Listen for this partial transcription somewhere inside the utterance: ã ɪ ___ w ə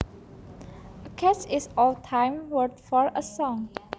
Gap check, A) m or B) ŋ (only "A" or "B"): A